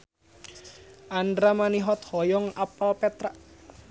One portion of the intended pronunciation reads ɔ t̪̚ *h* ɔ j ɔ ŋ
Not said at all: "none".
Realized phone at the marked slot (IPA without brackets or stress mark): h